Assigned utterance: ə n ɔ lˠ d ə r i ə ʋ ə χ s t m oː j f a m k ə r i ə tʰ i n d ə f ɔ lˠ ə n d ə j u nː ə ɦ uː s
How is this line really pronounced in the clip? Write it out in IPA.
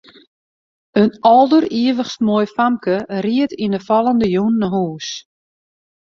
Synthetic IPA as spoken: ə n ɔ lˠ d ə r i ə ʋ ə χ s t m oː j f a m k ə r i ə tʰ i n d ə f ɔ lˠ ə n d ə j u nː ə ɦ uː s